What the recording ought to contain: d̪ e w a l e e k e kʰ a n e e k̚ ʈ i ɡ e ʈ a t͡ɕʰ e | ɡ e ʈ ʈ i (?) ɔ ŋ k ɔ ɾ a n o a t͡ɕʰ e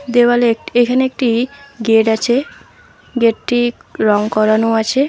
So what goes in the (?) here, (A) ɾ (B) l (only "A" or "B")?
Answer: A